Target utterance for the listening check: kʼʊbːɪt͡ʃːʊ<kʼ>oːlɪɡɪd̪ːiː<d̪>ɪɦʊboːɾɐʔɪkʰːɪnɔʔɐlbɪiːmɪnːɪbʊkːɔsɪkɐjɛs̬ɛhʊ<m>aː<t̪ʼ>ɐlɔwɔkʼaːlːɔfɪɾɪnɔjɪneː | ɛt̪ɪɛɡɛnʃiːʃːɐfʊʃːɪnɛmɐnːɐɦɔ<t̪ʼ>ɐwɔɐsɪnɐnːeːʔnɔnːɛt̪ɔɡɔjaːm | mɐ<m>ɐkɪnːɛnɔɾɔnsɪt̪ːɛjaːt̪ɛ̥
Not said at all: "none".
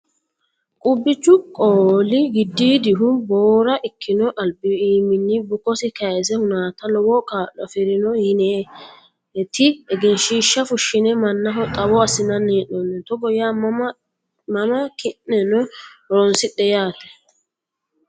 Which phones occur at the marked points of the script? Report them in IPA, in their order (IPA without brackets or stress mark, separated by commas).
kʼ, d̪, n, t̪, t̪ʼ, m